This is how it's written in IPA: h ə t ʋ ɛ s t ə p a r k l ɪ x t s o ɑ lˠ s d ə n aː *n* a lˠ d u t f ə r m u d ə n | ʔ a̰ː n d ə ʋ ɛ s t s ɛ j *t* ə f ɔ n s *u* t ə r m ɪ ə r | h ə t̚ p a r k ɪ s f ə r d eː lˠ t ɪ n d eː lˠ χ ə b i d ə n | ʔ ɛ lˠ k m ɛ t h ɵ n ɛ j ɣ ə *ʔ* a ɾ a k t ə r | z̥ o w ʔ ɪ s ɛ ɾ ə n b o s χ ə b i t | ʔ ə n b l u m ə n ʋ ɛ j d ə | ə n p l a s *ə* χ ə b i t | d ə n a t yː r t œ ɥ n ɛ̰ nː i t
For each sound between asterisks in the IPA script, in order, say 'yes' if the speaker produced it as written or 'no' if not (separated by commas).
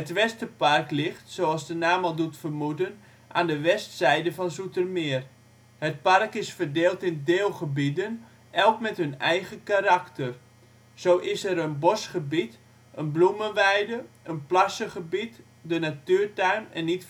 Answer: no, no, yes, no, yes